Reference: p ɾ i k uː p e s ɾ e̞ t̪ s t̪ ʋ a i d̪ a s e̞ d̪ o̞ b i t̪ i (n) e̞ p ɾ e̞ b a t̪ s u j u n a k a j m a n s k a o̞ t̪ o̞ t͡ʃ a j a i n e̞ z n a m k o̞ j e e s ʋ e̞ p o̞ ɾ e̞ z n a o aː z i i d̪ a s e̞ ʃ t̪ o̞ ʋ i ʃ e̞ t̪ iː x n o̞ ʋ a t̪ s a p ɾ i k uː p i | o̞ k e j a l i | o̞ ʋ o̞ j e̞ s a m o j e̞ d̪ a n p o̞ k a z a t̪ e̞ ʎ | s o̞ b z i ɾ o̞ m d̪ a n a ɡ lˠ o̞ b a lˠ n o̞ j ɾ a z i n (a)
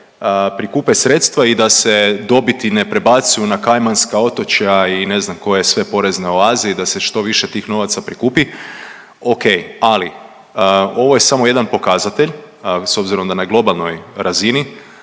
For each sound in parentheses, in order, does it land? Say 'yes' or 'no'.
yes, no

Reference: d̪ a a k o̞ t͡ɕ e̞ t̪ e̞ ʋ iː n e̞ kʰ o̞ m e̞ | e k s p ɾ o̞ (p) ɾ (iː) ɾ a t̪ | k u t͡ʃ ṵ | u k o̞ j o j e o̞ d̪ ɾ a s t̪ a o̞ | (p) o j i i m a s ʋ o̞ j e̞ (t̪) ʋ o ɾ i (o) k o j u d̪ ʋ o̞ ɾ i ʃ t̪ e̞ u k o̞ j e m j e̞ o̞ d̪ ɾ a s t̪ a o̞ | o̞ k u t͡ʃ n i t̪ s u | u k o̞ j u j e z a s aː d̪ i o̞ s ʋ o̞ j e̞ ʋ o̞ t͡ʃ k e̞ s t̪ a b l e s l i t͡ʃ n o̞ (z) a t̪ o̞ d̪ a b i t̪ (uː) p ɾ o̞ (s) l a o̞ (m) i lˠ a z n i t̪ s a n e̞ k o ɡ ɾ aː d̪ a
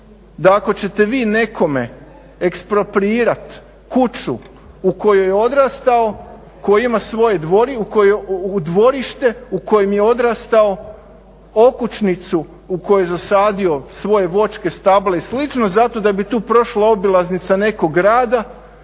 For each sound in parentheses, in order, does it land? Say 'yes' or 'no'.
yes, yes, no, no, no, yes, yes, no, no

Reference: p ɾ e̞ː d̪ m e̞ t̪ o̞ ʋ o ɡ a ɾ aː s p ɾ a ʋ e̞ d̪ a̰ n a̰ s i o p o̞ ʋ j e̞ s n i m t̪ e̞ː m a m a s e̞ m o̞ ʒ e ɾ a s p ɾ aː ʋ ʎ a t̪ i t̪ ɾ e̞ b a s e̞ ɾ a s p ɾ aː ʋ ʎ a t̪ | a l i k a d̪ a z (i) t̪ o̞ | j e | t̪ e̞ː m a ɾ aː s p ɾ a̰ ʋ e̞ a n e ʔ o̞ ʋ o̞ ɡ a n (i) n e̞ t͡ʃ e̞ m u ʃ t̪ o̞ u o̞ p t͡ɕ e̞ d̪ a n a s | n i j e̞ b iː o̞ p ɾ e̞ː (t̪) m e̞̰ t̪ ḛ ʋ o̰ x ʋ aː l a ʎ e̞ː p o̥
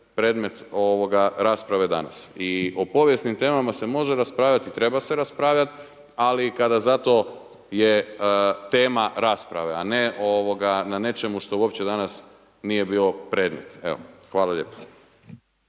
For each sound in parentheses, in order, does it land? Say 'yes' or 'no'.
no, no, no

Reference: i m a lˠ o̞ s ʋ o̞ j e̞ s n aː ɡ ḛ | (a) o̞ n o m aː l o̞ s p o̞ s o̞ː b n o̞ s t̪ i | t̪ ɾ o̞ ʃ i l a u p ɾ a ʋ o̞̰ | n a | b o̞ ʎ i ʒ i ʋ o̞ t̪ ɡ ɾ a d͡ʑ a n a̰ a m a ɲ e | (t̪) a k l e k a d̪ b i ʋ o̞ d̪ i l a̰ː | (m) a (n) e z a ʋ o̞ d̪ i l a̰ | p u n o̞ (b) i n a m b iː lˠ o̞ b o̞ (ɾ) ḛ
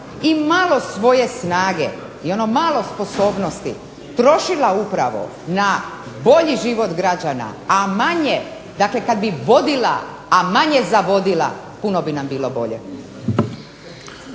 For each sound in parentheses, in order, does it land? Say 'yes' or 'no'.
no, no, yes, no, yes, no

